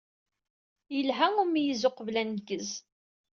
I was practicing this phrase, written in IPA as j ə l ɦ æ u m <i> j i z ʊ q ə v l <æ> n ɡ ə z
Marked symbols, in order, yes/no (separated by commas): yes, yes